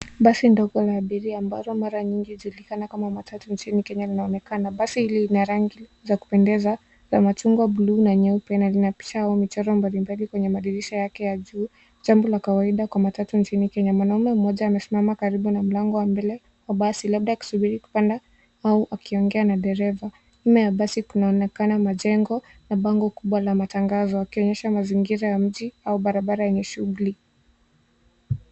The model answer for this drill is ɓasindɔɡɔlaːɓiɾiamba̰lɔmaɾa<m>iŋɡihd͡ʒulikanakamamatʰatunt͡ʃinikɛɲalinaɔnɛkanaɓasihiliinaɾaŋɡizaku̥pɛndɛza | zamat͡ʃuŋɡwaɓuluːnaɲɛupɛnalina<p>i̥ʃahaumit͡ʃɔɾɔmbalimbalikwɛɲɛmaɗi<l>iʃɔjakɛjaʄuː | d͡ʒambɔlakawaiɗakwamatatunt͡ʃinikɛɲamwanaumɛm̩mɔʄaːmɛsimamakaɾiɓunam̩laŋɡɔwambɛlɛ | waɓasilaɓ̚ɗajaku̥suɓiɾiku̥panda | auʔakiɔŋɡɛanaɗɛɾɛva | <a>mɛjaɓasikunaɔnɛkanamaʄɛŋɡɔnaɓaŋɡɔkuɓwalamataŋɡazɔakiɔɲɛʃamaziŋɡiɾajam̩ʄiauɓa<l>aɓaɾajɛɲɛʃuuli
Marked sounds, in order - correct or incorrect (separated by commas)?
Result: incorrect, correct, incorrect, incorrect, incorrect